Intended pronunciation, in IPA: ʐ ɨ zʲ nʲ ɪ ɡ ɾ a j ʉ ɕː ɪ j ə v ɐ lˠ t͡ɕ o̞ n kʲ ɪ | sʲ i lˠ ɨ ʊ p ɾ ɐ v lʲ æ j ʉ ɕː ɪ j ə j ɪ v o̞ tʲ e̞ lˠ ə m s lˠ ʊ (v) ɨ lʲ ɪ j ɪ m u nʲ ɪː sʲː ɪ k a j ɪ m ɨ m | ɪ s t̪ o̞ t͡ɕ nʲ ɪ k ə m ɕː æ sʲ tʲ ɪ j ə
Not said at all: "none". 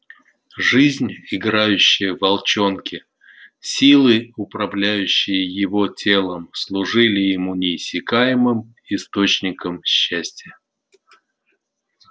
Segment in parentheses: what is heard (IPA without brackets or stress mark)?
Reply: ʐ